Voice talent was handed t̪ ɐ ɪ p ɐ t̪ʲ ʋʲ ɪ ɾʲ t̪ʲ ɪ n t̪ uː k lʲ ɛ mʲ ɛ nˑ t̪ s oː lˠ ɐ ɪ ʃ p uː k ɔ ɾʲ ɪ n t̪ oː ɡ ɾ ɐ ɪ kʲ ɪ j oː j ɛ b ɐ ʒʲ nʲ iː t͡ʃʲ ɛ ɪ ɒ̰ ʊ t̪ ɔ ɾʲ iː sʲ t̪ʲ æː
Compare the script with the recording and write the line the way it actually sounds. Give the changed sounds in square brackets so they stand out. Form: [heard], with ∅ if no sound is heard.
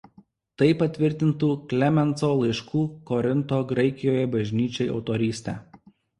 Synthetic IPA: t̪ ɐ ɪ p ɐ t̪ʲ ʋʲ ɪ ɾʲ t̪ʲ ɪ n t̪ uː k lʲ ɛ mʲ ɛ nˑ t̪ s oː lˠ ɐ ɪ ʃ [k] uː k ɔ ɾʲ ɪ n t̪ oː ɡ ɾ ɐ ɪ kʲ ɪ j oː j ɛ b ɐ ʒʲ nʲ iː t͡ʃʲ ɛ ɪ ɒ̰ ʊ t̪ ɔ ɾʲ iː sʲ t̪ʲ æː